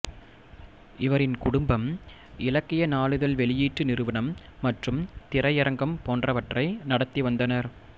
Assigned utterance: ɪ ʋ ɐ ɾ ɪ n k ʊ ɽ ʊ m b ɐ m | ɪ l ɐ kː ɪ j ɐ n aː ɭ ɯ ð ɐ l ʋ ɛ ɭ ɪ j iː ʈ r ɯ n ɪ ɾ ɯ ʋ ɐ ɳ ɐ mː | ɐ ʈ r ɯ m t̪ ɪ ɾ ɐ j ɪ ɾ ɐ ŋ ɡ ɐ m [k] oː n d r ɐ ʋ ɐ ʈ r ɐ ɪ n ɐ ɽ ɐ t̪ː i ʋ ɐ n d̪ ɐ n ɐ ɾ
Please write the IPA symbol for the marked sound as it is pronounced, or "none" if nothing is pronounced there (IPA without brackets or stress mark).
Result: p